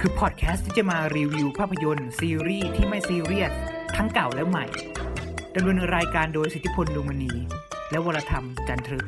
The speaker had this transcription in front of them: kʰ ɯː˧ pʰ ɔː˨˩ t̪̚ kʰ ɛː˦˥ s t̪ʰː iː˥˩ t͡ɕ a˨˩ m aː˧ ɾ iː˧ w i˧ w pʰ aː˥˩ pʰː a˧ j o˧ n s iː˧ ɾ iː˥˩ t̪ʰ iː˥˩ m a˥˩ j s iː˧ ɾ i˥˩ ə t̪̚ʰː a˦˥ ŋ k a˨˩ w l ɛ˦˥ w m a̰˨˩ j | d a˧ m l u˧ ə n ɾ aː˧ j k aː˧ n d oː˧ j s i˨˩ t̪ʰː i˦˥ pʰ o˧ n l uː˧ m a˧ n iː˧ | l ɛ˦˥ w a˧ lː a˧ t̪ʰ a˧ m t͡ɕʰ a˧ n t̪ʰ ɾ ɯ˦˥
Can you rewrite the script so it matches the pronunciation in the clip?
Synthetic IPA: kʰ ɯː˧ pʰ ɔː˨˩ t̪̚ kʰ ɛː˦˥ s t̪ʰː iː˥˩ t͡ɕ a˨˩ m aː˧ ɾ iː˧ w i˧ w pʰ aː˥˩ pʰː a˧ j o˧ n s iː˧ ɾ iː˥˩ t̪ʰ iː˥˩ m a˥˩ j s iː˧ ɾ i˥˩ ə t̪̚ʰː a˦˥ ŋ k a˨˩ w l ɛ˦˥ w m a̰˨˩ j | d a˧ m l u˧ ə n ɾ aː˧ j k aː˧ n d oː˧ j s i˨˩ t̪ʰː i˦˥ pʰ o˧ n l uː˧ m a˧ n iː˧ | l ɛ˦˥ w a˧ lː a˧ t̪ʰ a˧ m t͡ɕ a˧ n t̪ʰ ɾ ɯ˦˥